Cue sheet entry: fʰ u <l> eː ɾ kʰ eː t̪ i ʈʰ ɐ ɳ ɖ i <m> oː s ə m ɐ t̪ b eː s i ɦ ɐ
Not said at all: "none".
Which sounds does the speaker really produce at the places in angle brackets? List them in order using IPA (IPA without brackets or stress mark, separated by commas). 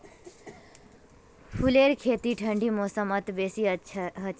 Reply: l, m